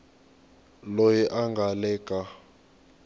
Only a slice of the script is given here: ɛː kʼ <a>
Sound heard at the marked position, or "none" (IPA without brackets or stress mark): a